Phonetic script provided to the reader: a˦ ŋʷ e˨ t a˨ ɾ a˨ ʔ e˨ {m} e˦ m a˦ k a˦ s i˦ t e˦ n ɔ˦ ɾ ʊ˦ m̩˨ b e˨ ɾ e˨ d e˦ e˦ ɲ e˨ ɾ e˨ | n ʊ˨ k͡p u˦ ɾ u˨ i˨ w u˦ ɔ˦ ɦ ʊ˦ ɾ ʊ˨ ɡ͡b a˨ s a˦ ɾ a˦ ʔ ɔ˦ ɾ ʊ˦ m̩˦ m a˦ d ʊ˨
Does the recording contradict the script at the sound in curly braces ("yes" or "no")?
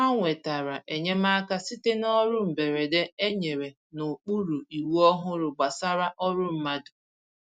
yes